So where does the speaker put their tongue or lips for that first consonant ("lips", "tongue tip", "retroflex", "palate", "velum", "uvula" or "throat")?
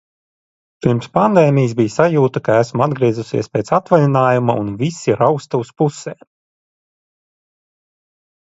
lips